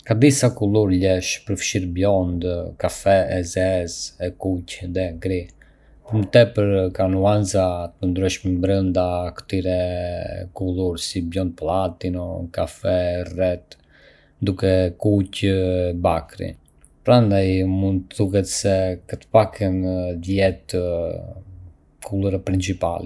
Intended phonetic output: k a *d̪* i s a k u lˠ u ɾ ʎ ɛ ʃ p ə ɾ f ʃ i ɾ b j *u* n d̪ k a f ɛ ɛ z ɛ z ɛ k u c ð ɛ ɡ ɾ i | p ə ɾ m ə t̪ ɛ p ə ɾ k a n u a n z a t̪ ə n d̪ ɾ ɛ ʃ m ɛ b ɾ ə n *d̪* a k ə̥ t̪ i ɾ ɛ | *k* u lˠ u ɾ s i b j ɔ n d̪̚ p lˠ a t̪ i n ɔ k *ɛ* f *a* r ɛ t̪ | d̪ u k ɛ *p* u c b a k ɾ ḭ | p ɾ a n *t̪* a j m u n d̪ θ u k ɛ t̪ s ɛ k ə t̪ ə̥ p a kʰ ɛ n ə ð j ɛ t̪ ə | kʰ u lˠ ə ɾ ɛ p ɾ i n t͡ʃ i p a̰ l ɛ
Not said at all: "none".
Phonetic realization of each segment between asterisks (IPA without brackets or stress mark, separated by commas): d̪, ɔ, d̪, k, a, ɛ, k, d̪